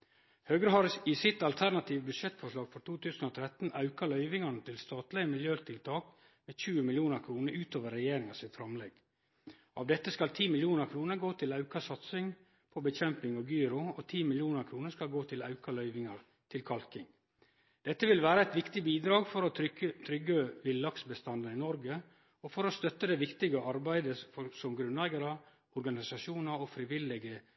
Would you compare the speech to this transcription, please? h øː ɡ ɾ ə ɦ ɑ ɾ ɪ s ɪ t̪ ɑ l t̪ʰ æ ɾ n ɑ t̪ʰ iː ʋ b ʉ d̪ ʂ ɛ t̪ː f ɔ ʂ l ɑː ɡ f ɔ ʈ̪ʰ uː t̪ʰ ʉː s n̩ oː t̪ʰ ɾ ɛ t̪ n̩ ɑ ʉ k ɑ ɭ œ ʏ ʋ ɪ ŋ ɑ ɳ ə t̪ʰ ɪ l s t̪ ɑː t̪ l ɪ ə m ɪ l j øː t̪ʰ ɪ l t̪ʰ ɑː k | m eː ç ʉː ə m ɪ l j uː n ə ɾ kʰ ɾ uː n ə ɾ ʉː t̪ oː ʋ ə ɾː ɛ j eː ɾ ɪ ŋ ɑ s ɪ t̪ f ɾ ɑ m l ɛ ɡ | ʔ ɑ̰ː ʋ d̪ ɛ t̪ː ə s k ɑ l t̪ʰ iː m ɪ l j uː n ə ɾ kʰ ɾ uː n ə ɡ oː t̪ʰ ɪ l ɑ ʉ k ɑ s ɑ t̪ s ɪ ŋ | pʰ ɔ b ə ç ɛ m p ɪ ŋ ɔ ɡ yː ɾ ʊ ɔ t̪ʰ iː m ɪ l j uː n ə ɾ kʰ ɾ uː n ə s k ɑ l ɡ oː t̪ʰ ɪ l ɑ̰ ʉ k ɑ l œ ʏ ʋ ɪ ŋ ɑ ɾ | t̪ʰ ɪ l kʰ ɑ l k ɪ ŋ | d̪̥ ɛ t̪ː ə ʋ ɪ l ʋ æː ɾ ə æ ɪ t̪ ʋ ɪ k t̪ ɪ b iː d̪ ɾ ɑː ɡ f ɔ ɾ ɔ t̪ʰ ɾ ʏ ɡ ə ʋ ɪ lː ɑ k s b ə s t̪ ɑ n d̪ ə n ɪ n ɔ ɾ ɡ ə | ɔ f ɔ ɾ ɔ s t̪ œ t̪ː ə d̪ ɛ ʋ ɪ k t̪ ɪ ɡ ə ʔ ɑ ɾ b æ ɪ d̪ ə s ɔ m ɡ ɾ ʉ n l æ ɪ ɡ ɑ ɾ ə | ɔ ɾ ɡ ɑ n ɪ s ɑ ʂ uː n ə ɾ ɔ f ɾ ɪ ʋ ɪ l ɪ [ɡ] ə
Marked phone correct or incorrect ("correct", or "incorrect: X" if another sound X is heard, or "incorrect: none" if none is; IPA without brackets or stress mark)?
correct